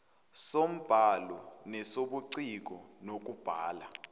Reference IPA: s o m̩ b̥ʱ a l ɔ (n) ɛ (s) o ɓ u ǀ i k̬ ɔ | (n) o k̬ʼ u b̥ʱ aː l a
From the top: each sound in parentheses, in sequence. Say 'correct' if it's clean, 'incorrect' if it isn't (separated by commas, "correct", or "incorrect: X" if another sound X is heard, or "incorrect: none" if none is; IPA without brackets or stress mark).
correct, correct, correct